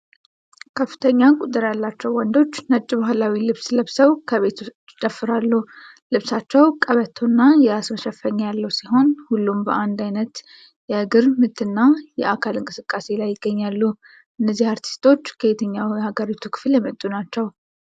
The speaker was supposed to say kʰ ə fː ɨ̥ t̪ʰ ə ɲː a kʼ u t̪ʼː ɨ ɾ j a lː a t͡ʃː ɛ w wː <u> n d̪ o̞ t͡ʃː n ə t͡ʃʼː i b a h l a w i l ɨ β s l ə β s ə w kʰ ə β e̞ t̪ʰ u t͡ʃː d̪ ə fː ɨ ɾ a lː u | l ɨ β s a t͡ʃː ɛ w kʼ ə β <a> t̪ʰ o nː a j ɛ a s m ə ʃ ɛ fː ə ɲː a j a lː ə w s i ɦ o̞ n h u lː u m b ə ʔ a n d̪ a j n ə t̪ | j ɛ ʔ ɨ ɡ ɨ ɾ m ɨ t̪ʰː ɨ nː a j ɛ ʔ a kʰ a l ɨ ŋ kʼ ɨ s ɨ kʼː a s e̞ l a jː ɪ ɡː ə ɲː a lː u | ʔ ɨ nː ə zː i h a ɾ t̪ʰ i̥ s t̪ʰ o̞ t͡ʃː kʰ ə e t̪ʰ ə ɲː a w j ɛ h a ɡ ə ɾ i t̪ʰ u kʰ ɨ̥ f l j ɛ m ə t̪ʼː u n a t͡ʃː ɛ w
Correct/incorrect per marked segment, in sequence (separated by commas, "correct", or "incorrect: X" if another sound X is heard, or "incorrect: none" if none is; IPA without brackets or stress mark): incorrect: ɔ, incorrect: ə